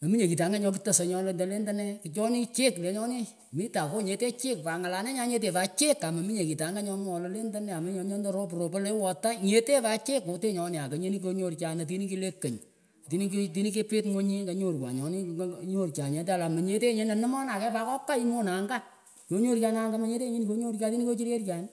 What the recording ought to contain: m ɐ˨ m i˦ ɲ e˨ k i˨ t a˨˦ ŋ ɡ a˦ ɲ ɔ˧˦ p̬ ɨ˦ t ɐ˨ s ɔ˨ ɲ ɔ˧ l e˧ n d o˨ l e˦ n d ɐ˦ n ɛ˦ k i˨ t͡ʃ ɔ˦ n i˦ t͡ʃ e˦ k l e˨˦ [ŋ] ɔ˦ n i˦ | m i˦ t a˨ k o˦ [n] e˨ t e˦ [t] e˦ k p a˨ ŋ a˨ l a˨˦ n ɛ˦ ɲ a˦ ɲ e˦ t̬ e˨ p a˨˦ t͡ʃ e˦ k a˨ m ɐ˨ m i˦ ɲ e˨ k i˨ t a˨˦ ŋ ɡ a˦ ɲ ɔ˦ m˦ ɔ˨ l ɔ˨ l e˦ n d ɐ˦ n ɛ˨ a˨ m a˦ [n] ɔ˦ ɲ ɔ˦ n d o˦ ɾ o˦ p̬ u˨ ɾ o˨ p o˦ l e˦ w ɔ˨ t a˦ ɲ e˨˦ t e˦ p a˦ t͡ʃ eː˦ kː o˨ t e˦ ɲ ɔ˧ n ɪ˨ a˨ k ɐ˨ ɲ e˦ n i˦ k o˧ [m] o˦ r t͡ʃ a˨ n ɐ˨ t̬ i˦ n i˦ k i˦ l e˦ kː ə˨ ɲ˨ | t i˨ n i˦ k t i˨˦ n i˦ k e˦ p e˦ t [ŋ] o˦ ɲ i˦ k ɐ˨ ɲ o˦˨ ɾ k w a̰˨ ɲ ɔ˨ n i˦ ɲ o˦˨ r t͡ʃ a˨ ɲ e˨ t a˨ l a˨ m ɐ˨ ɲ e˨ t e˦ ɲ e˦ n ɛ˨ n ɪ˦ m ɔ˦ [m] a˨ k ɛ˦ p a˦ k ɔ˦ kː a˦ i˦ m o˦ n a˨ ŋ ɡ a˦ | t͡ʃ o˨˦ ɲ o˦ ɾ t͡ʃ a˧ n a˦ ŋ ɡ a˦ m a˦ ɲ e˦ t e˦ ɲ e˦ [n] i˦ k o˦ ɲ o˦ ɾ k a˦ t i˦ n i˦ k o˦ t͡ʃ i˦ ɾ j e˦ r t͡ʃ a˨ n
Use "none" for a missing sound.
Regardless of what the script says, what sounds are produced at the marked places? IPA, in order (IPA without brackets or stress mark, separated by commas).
ɲ, ɲ, t͡ʃ, ɲ, ɲ, ŋ, n, n